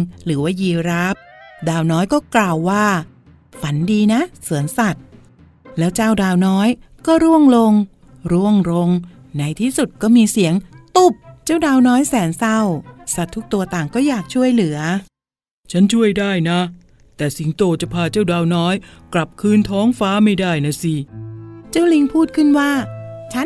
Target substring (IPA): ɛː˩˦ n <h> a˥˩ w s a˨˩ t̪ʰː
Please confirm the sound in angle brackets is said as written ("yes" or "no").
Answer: no